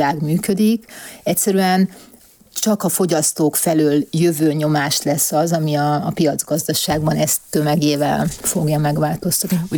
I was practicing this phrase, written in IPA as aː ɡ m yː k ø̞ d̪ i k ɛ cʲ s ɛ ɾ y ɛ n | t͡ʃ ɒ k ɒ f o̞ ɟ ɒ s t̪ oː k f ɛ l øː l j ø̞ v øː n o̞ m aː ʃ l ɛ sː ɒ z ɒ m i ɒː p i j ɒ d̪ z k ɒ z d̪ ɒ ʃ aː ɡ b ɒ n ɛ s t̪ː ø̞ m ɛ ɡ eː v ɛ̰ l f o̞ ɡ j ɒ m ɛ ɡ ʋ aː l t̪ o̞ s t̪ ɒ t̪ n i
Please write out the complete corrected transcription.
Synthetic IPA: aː ɡ m yː k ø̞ d̪ i k ɛ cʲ s ɛ ɾ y ɛ n | t͡ʃ ɒ k ɒ f o̞ ɟ ɒ s t̪ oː k f ɛ l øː l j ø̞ v øː ɲ o̞ m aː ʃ l ɛ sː ɒ z ɒ m i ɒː p i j ɒ d̪ z ɡ ɒ z d̪ ɒ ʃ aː ɡ b ɒ n ɛ s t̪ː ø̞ m ɛ ɡ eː v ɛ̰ l f o̞ ɡ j ɒ m ɛ ɡ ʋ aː l t̪ o̞ s t̪ ɒ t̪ n i